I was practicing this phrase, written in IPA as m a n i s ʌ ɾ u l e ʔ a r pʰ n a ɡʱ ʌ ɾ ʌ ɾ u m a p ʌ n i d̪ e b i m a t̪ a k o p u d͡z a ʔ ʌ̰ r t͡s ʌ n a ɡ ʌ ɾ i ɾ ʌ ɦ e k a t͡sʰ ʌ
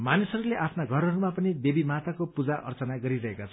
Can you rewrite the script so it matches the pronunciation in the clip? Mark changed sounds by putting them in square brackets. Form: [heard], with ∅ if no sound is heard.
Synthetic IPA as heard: m a n i s ʌ ɾ u l e ʔ a [∅] pʰ n a ɡʱ ʌ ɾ ʌ ɾ u m a p ʌ n i d̪ e b i m a t̪ a k o p u d͡z a ʔ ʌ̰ r t͡s ʌ n a ɡ ʌ ɾ i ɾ ʌ ɦ e k a t͡sʰ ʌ